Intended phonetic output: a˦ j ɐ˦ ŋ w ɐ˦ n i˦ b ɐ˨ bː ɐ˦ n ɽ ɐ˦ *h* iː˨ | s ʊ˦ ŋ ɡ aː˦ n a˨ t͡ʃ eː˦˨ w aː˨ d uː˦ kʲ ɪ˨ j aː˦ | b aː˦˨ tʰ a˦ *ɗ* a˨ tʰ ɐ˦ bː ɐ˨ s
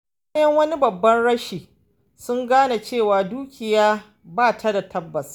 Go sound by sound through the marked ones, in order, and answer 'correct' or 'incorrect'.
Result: incorrect: ʃ, incorrect: d

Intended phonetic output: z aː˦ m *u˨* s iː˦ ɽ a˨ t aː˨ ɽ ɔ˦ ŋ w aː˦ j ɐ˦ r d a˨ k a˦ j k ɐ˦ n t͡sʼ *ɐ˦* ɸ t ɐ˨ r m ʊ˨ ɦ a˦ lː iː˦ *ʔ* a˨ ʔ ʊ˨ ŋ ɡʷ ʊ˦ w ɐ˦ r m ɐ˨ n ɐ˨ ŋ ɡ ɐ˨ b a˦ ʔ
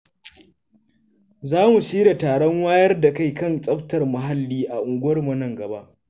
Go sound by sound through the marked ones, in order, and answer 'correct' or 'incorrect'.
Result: correct, correct, correct

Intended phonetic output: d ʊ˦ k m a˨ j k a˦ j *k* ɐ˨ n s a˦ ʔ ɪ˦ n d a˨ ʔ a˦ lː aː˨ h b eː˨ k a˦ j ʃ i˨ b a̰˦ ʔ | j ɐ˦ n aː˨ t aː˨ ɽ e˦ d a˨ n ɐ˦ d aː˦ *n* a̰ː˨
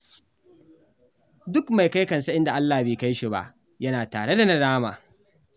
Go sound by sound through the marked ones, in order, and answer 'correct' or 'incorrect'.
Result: correct, incorrect: m

